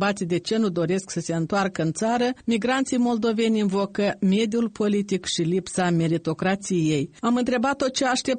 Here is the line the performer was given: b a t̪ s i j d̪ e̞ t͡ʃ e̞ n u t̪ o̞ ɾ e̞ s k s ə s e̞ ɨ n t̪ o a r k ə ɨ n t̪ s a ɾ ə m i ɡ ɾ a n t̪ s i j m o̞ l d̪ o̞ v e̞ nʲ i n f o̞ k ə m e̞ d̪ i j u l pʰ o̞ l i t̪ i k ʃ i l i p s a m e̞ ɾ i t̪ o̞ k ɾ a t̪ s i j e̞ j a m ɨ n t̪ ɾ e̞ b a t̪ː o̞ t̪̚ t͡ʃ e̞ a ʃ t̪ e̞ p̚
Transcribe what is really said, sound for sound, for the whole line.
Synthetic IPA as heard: b a t̪ s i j d̪ e̞ t͡ʃ e̞ n u d̪ o̞ ɾ e̞ s k s ə s e̞ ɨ n t̪ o a r k ə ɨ n t̪ s a ɾ ə m i ɡ ɾ a n t̪ s i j m o̞ l d̪ o̞ v e̞ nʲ i n v o̞ k ə m e̞ d̪ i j u l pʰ o̞ l i t̪ i k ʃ i l i p s a m e̞ ɾ i t̪ o̞ k ɾ a t̪ s i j e̞ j a m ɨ n t̪ ɾ e̞ b a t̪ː o̞ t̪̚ t͡ʃ e̞ a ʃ t̪ e̞ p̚